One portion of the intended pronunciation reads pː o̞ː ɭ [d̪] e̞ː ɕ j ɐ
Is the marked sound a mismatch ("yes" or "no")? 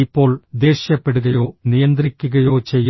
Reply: no